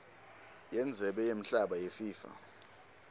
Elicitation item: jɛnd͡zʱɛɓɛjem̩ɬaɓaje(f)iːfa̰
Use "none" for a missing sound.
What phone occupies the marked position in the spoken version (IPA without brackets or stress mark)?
f